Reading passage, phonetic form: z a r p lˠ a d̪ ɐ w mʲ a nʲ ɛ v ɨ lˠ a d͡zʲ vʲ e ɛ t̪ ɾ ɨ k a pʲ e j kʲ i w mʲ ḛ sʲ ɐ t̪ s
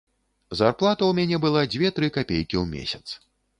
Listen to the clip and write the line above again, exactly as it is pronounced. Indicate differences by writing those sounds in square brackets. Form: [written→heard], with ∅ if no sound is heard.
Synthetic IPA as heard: z a r p lˠ a [d̪→t̪] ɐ w mʲ a nʲ ɛ [v→b] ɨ lˠ a d͡zʲ vʲ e ɛ t̪ ɾ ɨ k a pʲ e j kʲ i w mʲ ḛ sʲ ɐ t̪ s